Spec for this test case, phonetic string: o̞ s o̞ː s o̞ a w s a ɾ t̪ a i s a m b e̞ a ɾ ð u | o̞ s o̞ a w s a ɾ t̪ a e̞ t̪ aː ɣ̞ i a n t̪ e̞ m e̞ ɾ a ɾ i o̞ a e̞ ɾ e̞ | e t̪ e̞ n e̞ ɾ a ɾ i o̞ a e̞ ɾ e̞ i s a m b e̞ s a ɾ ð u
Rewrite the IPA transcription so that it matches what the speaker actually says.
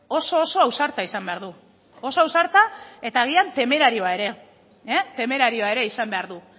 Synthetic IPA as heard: o̞ s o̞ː s o̞ a w s a ɾ t̪ a i s a m b e̞ a ɾ ð u | o̞ s o̞ a w s a ɾ t̪ a e̞ t̪ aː ɣ̞ i a n t̪ e̞ m e̞ ɾ a ɾ i o̞ a e̞ ɾ e̞ | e t̪ e̞ m e̞ ɾ a ɾ i o̞ a e̞ ɾ e̞ i s a m b e̞ a ɾ ð u